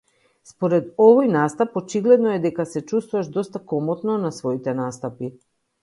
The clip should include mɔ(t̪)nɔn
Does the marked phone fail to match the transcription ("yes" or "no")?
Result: no